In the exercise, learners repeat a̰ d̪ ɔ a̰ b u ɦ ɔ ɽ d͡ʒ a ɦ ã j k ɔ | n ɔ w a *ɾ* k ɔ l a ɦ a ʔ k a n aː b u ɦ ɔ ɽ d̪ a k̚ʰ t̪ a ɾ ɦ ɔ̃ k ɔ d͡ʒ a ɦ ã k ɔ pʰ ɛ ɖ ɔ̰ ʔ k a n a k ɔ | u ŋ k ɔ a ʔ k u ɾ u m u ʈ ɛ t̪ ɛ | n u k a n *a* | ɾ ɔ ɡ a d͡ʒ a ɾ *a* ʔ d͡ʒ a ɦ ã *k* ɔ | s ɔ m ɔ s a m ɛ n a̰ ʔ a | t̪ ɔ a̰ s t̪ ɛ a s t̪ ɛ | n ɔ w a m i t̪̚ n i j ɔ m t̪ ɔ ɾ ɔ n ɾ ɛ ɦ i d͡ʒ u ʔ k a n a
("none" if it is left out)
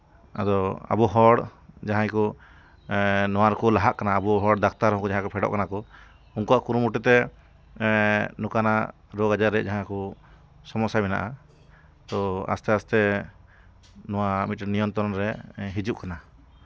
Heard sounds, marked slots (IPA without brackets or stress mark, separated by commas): ɾ, a, ɛ, k